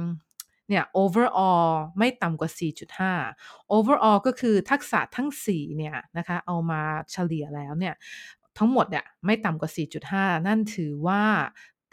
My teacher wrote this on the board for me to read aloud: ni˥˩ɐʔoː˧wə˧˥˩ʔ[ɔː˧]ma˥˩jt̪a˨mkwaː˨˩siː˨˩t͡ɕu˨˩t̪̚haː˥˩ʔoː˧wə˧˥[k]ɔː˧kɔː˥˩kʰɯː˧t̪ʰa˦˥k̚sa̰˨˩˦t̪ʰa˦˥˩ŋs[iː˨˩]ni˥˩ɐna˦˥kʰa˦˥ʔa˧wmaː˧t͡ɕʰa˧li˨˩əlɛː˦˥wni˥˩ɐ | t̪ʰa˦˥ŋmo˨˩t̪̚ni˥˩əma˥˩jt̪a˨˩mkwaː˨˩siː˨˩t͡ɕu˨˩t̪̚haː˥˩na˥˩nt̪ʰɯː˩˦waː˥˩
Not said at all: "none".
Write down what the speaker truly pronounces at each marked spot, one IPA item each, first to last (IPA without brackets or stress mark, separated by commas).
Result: ɔː˧, ʔ, iː˨˩